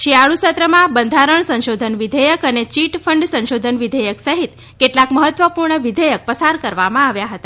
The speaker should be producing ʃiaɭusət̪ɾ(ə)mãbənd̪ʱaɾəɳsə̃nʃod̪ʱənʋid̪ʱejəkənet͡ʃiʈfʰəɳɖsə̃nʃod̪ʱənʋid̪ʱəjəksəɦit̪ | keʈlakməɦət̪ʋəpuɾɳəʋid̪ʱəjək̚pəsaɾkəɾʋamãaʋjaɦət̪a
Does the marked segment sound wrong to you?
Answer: no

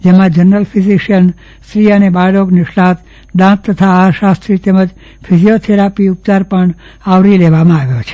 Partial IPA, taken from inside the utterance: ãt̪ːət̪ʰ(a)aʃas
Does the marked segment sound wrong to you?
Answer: no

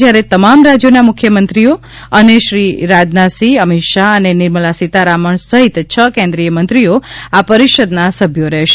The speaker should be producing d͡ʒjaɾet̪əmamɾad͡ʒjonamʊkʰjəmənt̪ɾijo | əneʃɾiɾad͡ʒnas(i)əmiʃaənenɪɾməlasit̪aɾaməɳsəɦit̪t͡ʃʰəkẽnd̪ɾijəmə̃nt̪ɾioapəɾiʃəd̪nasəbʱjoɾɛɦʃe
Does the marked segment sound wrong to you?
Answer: no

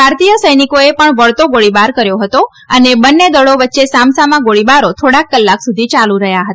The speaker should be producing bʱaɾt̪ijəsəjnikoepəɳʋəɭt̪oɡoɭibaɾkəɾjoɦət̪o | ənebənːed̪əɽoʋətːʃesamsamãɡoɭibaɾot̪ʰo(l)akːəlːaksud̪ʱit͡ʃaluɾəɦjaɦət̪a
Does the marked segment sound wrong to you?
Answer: yes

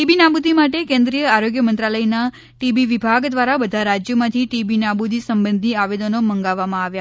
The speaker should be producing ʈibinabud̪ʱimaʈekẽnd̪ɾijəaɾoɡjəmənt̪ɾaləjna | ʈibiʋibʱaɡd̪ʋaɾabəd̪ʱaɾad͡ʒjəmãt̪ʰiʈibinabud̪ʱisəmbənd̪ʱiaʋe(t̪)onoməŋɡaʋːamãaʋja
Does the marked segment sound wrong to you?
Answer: yes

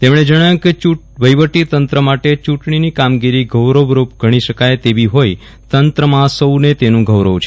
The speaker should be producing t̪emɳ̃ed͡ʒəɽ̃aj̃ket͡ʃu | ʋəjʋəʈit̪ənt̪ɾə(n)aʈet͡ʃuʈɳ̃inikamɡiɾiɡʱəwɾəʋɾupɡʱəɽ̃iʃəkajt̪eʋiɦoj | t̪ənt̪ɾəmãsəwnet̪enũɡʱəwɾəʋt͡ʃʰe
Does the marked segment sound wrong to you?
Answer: yes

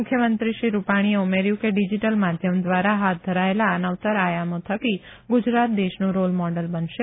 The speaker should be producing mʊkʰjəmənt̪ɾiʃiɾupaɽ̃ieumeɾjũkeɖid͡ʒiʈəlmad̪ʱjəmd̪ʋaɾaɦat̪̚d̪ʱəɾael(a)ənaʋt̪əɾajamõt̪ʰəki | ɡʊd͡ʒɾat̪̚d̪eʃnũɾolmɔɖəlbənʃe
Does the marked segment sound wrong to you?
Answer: no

